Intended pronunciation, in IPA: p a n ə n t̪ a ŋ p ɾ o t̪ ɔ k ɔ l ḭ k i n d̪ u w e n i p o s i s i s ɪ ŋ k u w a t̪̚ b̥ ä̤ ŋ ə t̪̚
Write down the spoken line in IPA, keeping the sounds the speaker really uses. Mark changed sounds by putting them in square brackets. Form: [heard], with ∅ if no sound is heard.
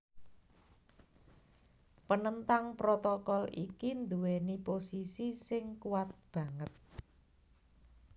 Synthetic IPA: p [ə] n ə n t̪ a ŋ p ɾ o t̪ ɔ k ɔ l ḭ k i n d̪ u w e n i p o s i s i s ɪ ŋ k u w a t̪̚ b̥ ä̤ ŋ ə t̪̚